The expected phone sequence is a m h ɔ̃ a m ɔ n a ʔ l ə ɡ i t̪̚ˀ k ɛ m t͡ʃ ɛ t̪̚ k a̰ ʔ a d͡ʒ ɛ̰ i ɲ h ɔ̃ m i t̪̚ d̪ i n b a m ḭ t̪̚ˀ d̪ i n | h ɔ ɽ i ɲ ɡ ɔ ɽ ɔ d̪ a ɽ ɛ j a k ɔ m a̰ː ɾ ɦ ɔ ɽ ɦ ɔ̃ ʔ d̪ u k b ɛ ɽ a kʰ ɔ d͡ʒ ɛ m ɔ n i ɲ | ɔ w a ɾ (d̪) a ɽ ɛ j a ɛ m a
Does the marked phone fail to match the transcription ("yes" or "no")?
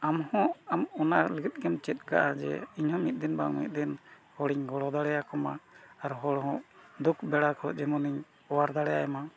no